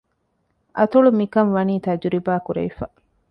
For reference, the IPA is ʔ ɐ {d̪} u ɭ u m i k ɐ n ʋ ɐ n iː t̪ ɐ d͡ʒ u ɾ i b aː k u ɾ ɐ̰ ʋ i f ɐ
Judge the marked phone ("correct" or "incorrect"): incorrect